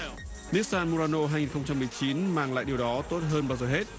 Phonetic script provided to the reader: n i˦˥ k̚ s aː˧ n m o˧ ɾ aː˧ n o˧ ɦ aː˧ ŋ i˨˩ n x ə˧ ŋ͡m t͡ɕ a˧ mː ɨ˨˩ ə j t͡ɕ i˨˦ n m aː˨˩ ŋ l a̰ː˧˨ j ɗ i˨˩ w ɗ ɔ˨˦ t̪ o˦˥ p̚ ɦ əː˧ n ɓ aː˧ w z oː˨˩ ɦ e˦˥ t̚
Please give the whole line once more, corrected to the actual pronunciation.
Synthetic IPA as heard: n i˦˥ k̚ s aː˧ n m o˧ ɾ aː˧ n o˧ ɦ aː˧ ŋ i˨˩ n x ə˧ ŋ͡m t͡ɕ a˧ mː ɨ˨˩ ə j t͡ɕ i˨˦ n m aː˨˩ ŋ l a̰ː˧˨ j ɗ i˨˩ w ɗ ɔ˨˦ t̪ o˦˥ t̚ ɦ əː˧ n ɓ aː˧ w z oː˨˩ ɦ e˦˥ t̚

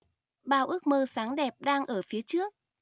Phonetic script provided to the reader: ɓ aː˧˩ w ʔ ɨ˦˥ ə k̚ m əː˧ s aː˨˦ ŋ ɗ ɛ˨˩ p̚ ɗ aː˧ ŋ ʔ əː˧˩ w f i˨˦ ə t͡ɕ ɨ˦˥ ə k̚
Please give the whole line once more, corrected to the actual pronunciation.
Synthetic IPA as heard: ɓ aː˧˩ w ʔ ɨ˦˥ ə k̚ m əː˧ s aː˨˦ ŋ ɗ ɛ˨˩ p̚ ɗ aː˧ ŋ ʔ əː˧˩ f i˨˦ ə t͡ɕ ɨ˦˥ ə k̚

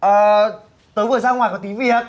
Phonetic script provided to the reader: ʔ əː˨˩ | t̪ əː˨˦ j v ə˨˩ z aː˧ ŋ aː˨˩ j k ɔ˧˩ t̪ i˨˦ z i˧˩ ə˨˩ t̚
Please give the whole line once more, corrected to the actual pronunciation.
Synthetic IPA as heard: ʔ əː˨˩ | t̪ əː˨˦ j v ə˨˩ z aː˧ ŋ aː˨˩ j k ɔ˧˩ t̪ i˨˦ v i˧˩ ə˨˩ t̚

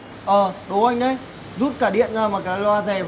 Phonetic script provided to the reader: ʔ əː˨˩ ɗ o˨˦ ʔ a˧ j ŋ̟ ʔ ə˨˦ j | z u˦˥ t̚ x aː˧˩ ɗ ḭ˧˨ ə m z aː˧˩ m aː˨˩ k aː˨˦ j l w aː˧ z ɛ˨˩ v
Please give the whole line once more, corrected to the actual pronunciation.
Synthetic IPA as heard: ʔ əː˨˩ ɗ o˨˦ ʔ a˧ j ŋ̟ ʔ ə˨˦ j | z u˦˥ t̚ k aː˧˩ ɗ ḭ˧˨ ə n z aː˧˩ m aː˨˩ k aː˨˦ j l w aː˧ z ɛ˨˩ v

